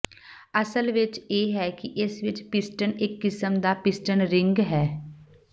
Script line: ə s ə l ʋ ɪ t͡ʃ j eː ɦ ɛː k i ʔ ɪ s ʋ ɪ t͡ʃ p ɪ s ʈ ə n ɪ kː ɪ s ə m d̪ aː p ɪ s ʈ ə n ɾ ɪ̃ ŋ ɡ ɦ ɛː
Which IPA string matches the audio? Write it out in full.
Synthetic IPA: ə s ə l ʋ ɪ t͡ʃ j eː ɦ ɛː k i ʔ ɪ s ʋ ɪ t͡ʃ p ɪ s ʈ ə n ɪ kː ɪ s ə m d̪ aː p ɪ s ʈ ə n ɾ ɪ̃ ŋ ɡ ɦ ɛː